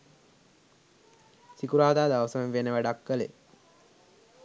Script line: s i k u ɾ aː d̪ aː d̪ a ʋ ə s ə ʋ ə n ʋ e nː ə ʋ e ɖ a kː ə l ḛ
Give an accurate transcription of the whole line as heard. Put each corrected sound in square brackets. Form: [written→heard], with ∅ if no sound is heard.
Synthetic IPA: s i k u ɾ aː d̪ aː d̪ a ʋ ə s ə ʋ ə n ʋ e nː ə ʋ [e→æ] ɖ a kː ə l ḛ